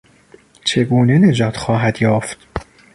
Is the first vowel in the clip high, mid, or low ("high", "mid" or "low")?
mid